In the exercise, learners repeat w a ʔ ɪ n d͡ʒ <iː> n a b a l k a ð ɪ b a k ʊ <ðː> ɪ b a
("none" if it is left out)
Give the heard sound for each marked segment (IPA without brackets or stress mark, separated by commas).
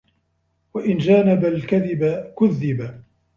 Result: aː, ðː